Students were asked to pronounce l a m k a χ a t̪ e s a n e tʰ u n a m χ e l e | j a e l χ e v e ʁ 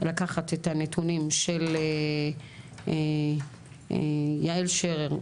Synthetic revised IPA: l a k a χ a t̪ e t a n e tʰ u n i m ʃ e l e | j a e l ʃ e ʁ e ʁ